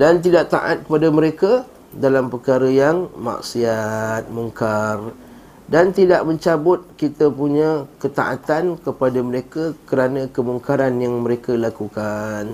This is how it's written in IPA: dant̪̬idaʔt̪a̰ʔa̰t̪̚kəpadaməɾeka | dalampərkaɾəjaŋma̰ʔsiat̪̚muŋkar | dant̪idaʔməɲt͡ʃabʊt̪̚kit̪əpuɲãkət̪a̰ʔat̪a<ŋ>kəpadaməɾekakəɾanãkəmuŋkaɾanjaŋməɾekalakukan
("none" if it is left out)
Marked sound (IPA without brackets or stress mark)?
n